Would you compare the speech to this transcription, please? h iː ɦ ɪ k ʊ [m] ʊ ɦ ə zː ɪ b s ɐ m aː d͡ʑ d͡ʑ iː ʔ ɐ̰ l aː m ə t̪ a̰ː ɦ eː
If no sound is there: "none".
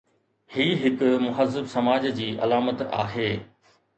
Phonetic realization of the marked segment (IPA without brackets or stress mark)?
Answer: m